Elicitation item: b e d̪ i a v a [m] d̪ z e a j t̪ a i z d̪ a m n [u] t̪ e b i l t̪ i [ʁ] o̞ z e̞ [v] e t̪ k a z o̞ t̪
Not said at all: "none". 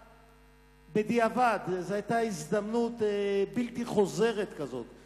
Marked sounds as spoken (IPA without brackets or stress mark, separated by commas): none, u, χ, ʁ